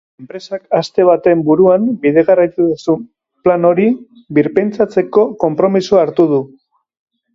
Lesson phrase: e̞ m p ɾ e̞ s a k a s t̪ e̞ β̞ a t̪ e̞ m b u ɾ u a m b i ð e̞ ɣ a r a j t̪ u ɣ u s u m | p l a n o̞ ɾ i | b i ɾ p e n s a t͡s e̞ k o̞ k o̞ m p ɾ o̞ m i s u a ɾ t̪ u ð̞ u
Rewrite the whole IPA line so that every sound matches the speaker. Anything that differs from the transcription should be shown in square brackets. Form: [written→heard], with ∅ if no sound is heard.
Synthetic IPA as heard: e̞ m p ɾ e̞ s a k a s t̪ e̞ β̞ a t̪ e̞ m b u ɾ u a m b i ð e̞ ɣ a r a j t̪ u [ɣ→ð] u s u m | p l a n o̞ ɾ i | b i ɾ p e n [s→t͡s] a t͡s e̞ k o̞ k o̞ m p ɾ o̞ m i s u a ɾ t̪ u ð̞ u